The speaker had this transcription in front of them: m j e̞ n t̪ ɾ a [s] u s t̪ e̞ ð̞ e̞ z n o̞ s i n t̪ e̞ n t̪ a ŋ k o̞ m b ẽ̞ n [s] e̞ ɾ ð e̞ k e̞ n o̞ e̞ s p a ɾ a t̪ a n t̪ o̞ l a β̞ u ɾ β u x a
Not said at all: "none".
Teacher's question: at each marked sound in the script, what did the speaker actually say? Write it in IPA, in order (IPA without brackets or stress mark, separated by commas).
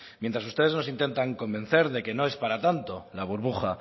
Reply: s, θ